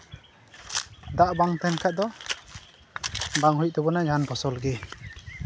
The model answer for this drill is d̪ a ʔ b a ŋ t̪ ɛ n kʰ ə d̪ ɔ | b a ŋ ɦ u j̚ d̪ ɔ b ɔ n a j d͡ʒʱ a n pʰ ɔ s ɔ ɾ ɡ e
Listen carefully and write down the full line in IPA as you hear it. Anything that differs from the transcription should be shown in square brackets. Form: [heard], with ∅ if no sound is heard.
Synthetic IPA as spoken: d̪ a ʔ b a ŋ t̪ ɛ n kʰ [a] d̪ ɔ | b a ŋ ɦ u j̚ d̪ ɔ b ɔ n a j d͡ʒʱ a n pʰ ɔ s ɔ [l] ɡ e